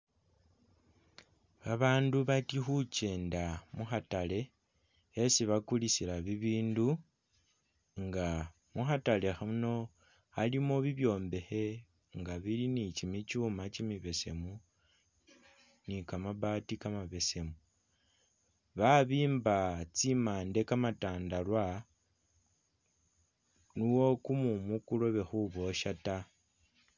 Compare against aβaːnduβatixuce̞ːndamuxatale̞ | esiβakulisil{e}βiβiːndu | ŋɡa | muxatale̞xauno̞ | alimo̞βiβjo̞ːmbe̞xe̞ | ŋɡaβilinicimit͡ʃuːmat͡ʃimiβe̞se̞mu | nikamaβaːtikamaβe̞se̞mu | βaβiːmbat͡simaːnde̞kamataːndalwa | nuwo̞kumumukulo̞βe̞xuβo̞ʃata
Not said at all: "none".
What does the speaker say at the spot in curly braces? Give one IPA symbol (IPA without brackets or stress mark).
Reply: a